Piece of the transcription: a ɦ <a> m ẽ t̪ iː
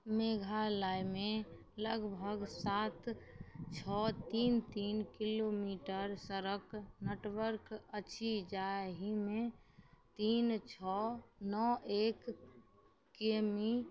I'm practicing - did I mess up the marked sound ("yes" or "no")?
yes